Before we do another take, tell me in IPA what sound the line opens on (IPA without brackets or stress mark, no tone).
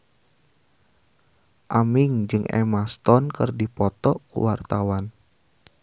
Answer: ʔ